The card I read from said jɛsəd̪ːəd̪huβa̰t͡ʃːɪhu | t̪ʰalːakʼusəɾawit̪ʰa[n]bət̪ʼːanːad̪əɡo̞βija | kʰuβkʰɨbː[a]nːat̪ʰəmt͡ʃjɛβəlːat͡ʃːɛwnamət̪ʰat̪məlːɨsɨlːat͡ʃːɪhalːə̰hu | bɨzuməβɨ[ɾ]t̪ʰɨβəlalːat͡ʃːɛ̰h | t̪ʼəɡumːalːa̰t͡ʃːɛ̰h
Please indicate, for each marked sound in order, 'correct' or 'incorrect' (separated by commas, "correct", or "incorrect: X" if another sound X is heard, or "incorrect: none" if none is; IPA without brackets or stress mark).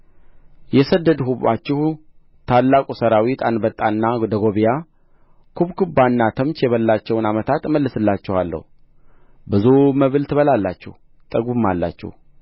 correct, correct, incorrect: l